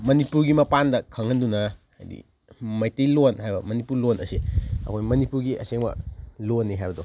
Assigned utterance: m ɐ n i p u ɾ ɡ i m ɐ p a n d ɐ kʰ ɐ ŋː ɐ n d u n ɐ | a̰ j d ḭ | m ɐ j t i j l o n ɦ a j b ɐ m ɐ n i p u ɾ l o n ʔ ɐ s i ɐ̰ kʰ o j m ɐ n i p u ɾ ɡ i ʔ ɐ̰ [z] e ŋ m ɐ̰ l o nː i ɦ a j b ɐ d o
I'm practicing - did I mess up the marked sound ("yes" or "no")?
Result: yes